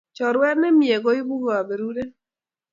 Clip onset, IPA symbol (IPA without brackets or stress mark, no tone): t͡ʃ